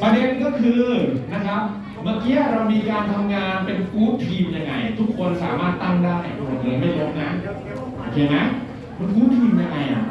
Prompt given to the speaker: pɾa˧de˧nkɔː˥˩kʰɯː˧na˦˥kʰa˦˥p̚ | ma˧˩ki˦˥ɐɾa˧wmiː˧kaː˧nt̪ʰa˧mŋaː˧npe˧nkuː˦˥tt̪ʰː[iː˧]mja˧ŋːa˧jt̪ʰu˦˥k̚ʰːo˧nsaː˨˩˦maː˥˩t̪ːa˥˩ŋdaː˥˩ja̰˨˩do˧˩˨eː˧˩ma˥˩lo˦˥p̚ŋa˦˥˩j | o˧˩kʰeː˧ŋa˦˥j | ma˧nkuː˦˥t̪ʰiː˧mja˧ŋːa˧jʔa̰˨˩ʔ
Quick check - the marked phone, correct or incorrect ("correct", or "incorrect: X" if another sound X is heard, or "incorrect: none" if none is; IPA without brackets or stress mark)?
correct